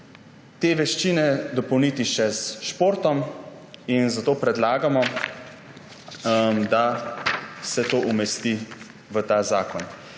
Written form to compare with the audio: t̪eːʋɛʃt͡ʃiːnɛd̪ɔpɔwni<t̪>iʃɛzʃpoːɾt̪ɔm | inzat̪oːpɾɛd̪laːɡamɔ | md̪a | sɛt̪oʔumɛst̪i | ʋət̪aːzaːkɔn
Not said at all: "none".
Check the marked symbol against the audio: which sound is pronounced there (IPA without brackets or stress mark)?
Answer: t̪